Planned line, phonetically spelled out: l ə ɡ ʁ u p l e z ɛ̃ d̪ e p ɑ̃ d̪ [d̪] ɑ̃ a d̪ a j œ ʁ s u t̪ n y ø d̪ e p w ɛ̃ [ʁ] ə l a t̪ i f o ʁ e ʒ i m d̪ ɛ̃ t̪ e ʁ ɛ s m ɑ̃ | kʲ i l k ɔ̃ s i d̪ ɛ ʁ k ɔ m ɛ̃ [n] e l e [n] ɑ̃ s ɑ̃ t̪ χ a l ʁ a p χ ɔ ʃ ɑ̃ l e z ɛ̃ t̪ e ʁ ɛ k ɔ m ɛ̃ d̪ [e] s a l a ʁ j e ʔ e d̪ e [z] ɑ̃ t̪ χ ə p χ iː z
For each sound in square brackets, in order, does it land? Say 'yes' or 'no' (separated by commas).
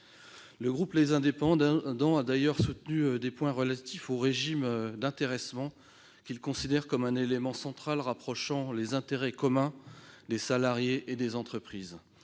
yes, yes, yes, no, yes, yes